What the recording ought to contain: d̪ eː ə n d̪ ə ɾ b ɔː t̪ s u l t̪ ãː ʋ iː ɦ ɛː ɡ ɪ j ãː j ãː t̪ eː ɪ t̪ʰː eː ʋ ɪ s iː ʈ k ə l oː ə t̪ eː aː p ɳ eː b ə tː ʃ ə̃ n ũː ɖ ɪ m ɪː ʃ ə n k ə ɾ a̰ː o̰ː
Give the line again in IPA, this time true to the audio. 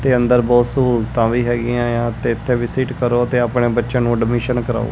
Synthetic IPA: t̪ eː ə n d̪ ə ɾ b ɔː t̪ s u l t̪ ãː ʋ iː ɦ ɛː ɡ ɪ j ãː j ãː t̪ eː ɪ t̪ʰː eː ʋ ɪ s iː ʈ k ə ɾ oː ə t̪ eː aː p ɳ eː b ə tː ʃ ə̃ n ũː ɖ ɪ m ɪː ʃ ə n k ə ɾ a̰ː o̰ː